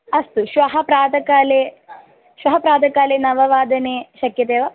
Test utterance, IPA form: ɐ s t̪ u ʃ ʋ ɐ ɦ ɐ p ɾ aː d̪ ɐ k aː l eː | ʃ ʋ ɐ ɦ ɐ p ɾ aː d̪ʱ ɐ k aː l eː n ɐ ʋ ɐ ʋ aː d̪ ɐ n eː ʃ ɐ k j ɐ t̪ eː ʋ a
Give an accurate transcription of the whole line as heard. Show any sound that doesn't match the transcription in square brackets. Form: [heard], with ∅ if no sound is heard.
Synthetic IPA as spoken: ɐ s t̪ u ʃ ʋ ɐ ɦ ɐ p ɾ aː d̪ ɐ k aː l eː | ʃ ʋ ɐ ɦ ɐ p ɾ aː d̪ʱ ɐ k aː l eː n ɐ ʋ ɐ ʋ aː d̪ ɐ n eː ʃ ɐ k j ɐ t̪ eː ʋ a